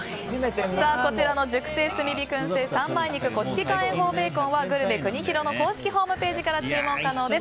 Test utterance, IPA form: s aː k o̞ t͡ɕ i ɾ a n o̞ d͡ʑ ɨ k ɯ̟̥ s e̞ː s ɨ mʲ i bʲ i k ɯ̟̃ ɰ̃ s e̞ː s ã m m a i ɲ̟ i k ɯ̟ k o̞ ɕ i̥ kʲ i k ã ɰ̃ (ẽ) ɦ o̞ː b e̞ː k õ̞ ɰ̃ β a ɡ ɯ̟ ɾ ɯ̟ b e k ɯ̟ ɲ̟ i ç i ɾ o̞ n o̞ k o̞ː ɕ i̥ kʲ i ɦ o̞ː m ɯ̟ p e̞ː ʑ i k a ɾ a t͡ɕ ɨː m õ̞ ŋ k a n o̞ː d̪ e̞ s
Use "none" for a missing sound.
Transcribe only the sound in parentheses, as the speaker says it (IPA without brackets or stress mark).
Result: ẽ